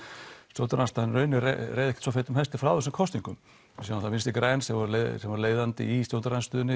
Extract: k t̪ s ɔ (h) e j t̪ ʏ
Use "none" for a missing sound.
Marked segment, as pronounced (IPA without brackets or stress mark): f